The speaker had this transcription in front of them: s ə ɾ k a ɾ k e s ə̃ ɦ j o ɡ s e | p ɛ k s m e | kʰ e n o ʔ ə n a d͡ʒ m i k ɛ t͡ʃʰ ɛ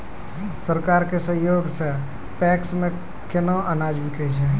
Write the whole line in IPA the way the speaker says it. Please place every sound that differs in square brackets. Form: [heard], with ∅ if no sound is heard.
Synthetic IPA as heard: s ə ɾ k a ɾ k e s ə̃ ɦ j o ɡ s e | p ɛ k s m e | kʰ e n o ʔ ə n a d͡ʒ [b] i k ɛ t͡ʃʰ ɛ